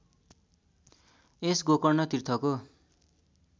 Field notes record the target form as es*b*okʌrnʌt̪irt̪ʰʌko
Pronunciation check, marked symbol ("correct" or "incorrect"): incorrect